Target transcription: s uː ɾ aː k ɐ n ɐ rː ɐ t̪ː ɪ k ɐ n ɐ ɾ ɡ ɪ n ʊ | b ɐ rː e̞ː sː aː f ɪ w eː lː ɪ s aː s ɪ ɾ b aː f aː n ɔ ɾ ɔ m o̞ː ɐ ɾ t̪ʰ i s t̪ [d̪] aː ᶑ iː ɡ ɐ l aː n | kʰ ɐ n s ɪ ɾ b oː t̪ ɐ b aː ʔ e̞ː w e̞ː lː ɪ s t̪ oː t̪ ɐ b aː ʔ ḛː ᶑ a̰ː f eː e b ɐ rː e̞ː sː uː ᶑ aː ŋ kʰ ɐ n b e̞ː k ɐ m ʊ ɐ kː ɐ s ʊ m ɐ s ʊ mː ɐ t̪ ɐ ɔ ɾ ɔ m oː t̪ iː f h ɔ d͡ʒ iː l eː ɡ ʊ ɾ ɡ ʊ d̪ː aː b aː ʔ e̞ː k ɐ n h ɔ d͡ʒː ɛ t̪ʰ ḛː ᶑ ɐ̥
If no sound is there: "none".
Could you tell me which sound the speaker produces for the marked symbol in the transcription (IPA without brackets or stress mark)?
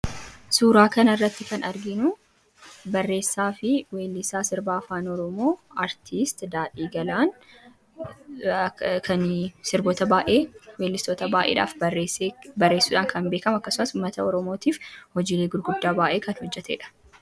d̪